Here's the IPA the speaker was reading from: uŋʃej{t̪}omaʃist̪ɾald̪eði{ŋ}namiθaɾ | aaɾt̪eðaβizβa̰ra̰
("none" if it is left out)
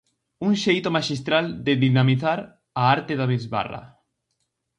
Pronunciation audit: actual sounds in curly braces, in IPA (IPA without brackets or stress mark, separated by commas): t̪, none